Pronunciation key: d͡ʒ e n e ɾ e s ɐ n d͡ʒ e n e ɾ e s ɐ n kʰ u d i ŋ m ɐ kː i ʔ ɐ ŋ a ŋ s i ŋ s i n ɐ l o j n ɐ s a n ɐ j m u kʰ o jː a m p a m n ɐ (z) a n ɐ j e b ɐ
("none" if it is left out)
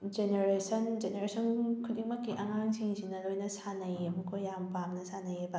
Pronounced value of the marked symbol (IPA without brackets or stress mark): s